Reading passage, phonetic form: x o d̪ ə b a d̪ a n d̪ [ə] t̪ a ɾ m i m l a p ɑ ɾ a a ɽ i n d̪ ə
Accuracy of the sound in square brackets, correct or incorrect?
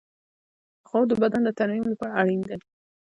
correct